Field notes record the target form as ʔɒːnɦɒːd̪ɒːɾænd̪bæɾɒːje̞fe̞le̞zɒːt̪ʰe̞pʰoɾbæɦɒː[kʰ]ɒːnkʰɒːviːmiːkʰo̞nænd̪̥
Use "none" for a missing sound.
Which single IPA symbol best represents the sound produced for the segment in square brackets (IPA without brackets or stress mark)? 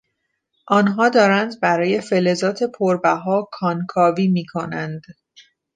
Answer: kʰ